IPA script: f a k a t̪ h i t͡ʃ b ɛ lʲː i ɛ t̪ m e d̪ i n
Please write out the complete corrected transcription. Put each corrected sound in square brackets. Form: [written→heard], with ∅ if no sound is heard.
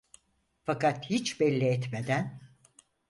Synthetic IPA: f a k a t̪ h i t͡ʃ b ɛ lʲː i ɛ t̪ m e d̪ [i→æ] n